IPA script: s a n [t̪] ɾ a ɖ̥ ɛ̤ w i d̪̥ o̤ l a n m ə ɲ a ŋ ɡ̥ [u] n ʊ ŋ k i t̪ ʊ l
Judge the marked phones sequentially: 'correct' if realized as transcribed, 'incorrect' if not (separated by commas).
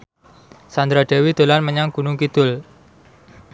incorrect, correct